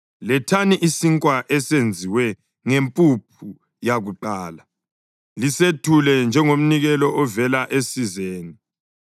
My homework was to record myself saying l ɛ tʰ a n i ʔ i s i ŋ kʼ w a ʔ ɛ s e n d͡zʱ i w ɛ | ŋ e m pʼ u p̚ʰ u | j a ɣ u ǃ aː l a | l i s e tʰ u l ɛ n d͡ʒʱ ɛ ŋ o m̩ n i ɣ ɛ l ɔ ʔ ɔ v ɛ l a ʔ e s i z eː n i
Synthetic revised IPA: l ɛ tʰ a n i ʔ i s i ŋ kʼ w a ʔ ɛ s e n d͡zʱ i w ɛ | ŋ e m pʼ u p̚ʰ u | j a ɣ u ǃ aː l a | l i s e tʰ u l ɛ n d͡ʒʱ ɛ ŋ o m̩ n i ɣ ɛ l ɔ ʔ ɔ v ɛ l a ʔ e s i z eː n i

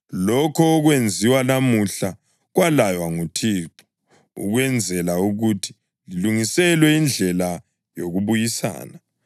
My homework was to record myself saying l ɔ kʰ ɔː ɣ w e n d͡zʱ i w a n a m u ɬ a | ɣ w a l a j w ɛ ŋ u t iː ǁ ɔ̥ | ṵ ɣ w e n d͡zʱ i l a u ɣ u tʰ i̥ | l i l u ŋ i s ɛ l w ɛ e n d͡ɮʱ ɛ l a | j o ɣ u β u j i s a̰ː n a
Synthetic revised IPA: l ɔ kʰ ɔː ɣ w e n d͡zʱ i w a n a m u ɬ a | ɣ w a l a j w a ŋ u tʰ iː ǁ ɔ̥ | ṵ ɣ w ɛ n d͡zʱ ɛ l a u ɣ u tʰ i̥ | l i l u ŋ i s ɛ l w ɛ i n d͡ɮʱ ɛ l a | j o ɣ u β u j i s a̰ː n a

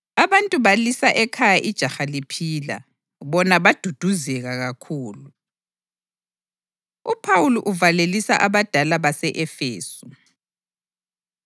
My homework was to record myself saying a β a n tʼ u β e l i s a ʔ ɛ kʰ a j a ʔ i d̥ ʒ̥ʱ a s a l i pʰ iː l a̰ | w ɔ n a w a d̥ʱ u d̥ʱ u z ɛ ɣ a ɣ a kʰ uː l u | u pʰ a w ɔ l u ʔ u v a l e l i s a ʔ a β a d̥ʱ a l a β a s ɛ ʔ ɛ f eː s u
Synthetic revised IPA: a β a n tʼ u β a l i s a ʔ ɛ kʰ a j a ʔ i d̥ ʒ̥ʱ a x a l i pʰ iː l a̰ | β ɔ n a β a d̥ʱ u d̥ʱ u z ɛ ɣ a ɣ a kʰ uː l u | u pʰ a w u l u ʔ u v a l e l i s a ʔ a β a d̥ʱ a l a β a s ɛ ʔ ɛ f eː s u

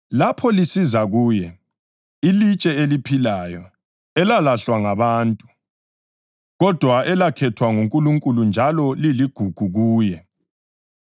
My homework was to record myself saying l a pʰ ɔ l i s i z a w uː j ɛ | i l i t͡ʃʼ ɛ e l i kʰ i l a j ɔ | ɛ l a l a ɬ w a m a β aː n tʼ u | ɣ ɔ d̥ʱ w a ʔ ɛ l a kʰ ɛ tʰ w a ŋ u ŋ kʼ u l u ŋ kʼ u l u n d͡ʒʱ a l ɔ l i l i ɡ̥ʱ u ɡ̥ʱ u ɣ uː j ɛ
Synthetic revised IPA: l a pʰ ɔ l i s i z a ɣ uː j ɛ | i l i t͡ʃʼ ɛ e l i pʰ i l a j ɔ | ɛ l a l a ɬ w a ŋ a β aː n tʼ u | ɣ ɔ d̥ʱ w a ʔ ɛ l a kʰ ɛ tʰ w a ŋ u ŋ kʼ u l u ŋ kʼ u l u n d͡ʒʱ a l ɔ l i l i ɡ̥ʱ u ɡ̥ʱ u ɣ uː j ɛ

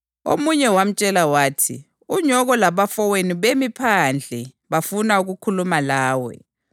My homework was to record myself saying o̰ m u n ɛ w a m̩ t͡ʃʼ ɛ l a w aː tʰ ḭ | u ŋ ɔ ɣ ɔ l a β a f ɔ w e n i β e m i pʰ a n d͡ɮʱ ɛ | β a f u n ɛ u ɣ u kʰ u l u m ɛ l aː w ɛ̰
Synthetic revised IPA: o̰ m u ɲ ɛ w a m̩ t͡ʃʼ ɛ l a w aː tʰ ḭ | u ɲ ɔ ɣ ɔ l a β a f ɔ w e n i β e m i pʰ a n d͡ɮʱ ɛ | β a f u n a u ɣ u kʰ u l u m a l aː w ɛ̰

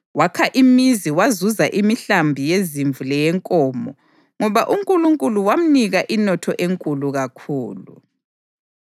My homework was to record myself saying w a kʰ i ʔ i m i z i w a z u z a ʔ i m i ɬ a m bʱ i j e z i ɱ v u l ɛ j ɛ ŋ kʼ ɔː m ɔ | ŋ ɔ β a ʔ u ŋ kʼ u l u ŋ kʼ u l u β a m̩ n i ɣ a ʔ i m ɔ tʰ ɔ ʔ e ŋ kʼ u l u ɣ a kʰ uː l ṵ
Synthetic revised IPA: w a kʰ a ʔ i m i z i w a z u z a ʔ i m i ɬ a m bʱ i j e z i ɱ v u l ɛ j ɛ ŋ kʼ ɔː m ɔ | ŋ ɔ β a ʔ u ŋ kʼ u l u ŋ kʼ u l u w a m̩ n i ɣ a ʔ i n ɔ tʰ ɔ ʔ e ŋ kʼ u l u ɣ a kʰ uː l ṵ

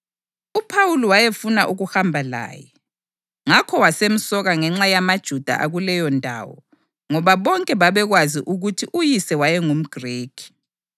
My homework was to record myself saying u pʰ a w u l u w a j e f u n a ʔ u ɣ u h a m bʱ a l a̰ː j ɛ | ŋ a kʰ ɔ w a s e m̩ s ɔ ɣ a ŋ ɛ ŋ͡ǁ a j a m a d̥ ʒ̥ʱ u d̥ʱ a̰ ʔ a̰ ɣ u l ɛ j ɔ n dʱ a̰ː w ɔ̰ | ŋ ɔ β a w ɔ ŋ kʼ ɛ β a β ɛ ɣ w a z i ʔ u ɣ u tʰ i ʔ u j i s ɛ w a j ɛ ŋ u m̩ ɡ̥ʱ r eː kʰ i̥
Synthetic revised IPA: u pʰ a w u l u w a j e f u n a ʔ u ɣ u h a m bʱ a l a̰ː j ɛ | ŋ a kʰ ɔ w a s e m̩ s ɔ ɣ a ŋ ɛ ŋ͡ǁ a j a m a d̥ ʒ̥ʱ u d̥ʱ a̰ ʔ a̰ ɣ u l ɛ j ɔ n dʱ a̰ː w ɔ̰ | ŋ ɔ β a β ɔ ŋ kʼ ɛ β a β ɛ ɣ w a z i ʔ u ɣ u tʰ i ʔ u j i s ɛ w a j ɛ ŋ u m̩ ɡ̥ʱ r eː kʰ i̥

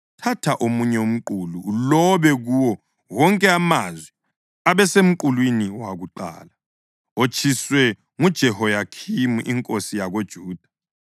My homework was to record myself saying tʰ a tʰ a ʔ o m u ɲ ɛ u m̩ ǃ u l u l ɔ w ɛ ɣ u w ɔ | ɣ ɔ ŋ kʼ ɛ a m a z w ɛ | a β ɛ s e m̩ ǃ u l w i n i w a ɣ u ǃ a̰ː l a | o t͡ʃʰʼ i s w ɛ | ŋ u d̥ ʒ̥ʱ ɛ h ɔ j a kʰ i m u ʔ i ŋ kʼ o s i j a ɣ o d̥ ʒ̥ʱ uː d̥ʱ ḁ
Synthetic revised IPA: tʰ a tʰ a ʔ o m u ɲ ɛ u m̩ ǃ u l u l ɔ β ɛ ɣ u w ɔ | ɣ ɔ ŋ kʼ ɛ a m a z w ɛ | a β ɛ s e m̩ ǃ u l w i n i w a ɣ u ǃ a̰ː l a | o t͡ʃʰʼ i s w ɛ | ŋ u d̥ ʒ̥ʱ ɛ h ɔ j a kʰ i m u ʔ i ŋ kʼ o s i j a ɣ o d̥ ʒ̥ʱ uː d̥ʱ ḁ

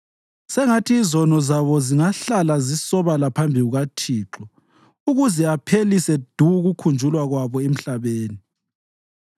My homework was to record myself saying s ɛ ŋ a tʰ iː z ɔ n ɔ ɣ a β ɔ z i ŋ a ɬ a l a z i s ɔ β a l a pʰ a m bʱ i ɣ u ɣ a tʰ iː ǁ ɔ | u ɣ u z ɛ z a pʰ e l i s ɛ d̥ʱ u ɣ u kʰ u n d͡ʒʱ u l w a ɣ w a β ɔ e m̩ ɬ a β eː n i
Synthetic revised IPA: s ɛ ŋ a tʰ iː z ɔ n ɔ z a β ɔ z i ŋ a ɬ a l a z i s ɔ β a l a pʰ a m bʱ i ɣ u ɣ a tʰ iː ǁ ɔ | u ɣ u z ɛ a pʰ e l i s ɛ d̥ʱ u ɣ u kʰ u n d͡ʒʱ u l w a ɣ w a β ɔ e m̩ ɬ a β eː n i

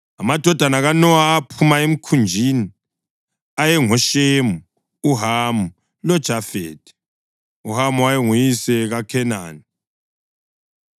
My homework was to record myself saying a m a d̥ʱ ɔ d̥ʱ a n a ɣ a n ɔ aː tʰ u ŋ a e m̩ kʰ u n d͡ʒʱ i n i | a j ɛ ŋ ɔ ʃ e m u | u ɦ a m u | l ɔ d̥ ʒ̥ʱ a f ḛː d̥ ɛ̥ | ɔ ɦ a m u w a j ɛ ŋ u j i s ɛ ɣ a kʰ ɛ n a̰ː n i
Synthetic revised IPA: a m a d̥ʱ ɔ d̥ʱ a n a ɣ a n ɔ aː pʰ u m a e m̩ kʰ u n d͡ʒʱ i n i | a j ɛ ŋ ɔ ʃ e m u | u ɦ a m u | l ɔ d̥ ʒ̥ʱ a f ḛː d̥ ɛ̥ | u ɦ a m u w a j ɛ ŋ u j i s ɛ ɣ a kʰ ɛ n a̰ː n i

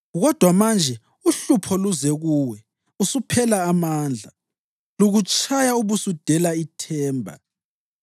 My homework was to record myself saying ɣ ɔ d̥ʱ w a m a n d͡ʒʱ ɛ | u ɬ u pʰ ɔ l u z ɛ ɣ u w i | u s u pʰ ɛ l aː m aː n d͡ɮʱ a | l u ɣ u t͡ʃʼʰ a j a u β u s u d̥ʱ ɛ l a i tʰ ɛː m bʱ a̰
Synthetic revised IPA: ɣ ɔ d̥ʱ w a m a n d͡ʒʱ ɛ | u ɬ u pʰ ɔ l u z ɛ ɣ u w ɛ | u s u pʰ ɛ l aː m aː n d͡ɮʱ a | l u ɣ u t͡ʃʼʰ a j a u β u s u d̥ʱ ɛ l a i tʰ ɛː m bʱ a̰

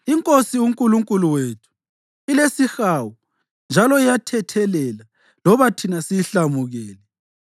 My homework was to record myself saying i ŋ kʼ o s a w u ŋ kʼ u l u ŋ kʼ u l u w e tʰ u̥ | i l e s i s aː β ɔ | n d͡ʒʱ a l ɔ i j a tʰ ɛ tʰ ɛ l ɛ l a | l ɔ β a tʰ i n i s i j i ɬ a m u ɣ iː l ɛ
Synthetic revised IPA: i ŋ kʼ o s i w u ŋ kʼ u l u ŋ kʼ u l u w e tʰ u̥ | i l e s i x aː w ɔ | n d͡ʒʱ a l ɔ i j a tʰ ɛ tʰ ɛ l ɛ l a | l ɔ β a tʰ i n a s i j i ɬ a m u ɣ ɛː l ɛ

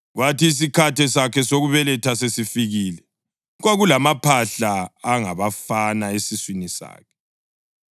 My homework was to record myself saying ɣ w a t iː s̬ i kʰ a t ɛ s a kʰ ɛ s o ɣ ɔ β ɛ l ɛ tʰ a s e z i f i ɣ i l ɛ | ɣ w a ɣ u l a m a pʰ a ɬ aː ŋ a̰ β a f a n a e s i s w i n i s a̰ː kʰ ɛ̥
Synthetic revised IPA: ɣ w a t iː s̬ i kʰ a t ɛ s a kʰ ɛ s o ɣ u β ɛ l ɛ tʰ a s e s i f i ɣ i l ɛ | ɣ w a ɣ u l a m a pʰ a ɬ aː ŋ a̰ β a f a n a e s i s w i n i s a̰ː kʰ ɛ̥

